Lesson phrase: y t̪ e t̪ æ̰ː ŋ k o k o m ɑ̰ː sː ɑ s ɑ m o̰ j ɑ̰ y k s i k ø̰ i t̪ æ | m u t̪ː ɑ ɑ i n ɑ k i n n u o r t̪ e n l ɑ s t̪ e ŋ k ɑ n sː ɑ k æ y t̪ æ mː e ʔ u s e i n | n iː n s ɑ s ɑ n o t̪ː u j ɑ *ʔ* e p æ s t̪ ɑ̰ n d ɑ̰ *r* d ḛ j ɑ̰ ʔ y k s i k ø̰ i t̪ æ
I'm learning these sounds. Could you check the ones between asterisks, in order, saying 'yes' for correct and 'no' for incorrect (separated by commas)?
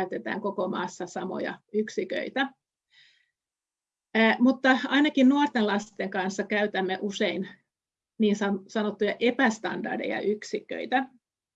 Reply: yes, yes